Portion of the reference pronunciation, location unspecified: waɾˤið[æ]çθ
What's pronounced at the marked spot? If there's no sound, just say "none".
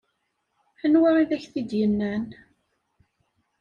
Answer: æ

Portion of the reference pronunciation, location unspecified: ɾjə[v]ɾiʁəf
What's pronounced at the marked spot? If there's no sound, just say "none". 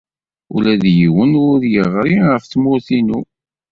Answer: ʁ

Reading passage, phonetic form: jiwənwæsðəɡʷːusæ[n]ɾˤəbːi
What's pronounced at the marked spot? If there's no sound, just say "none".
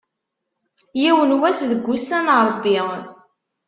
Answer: n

